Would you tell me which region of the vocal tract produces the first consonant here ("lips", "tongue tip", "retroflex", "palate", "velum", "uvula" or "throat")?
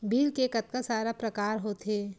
lips